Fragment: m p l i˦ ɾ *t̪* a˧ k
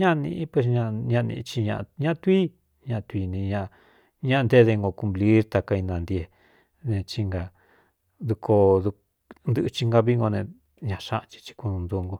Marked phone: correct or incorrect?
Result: correct